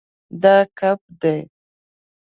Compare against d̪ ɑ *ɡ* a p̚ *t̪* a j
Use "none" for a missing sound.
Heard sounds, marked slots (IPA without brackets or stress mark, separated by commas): k, d̪